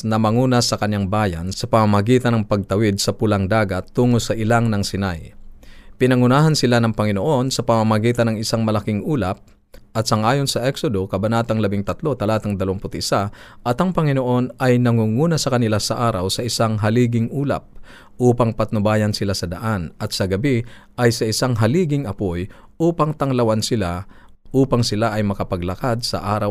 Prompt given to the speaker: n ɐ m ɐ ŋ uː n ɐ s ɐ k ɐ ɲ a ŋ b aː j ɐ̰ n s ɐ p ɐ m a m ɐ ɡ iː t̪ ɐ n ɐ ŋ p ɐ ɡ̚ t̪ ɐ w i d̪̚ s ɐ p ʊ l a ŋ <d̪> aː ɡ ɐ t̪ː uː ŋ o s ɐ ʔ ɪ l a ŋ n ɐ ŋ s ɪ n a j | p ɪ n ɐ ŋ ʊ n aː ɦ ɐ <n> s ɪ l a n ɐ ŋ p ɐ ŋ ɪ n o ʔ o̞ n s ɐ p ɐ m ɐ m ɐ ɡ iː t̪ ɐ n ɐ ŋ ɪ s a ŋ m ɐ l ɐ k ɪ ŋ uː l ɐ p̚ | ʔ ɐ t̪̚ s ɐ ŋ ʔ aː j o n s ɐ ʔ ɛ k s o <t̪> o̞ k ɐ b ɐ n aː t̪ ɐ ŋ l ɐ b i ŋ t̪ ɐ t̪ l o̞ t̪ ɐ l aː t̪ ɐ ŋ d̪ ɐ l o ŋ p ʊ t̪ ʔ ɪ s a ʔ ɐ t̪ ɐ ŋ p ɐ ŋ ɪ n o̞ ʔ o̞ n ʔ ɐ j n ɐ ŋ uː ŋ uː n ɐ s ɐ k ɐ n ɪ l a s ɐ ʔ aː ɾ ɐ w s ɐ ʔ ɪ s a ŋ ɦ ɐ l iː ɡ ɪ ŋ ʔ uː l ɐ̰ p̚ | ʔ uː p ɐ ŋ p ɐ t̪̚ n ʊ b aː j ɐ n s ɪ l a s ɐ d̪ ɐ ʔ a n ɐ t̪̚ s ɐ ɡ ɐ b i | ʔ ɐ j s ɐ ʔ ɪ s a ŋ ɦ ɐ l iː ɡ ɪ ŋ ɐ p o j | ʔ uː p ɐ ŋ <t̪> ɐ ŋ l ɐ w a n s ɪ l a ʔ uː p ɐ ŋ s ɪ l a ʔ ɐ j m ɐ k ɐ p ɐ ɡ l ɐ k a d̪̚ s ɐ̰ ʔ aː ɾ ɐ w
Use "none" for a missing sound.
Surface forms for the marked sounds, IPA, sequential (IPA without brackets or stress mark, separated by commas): d̪, n, d̪, t̪